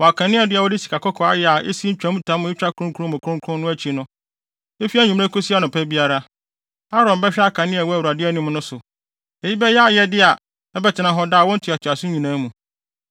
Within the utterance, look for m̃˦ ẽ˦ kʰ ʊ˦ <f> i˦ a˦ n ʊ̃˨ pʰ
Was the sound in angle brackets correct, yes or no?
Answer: no